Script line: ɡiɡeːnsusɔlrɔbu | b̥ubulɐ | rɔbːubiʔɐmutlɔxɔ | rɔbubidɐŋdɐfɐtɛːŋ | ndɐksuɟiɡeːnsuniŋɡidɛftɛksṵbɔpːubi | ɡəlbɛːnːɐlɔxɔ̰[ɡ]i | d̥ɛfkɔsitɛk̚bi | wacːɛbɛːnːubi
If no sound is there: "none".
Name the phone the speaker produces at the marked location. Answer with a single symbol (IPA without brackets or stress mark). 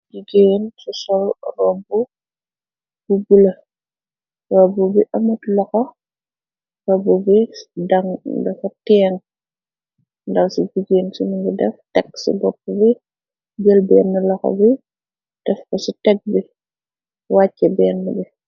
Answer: b